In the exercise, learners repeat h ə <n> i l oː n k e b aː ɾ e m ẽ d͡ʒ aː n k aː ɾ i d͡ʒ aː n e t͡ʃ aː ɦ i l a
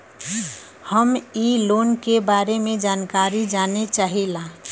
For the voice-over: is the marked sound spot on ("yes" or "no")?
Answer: no